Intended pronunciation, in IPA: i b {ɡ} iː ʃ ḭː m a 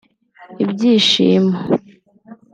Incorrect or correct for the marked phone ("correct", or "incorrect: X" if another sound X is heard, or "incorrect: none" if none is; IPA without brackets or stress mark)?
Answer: incorrect: ɟ